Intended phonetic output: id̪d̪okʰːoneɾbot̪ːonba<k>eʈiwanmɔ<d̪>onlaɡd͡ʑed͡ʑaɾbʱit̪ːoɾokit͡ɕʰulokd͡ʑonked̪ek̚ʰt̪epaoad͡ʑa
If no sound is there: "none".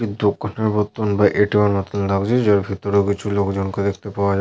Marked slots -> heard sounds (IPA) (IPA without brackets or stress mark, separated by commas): ʔ, t̪